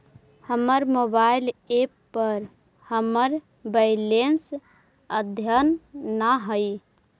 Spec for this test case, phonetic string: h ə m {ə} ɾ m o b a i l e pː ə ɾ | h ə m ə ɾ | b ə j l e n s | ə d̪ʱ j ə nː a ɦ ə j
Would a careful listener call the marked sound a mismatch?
no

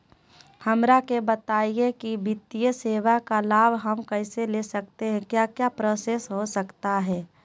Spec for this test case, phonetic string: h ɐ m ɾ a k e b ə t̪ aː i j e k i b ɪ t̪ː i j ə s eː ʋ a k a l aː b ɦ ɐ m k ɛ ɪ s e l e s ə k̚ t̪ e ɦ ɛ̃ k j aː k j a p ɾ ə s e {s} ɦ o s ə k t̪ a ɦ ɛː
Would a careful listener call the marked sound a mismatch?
no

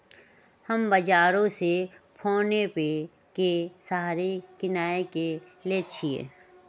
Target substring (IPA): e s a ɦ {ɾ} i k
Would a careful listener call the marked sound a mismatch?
no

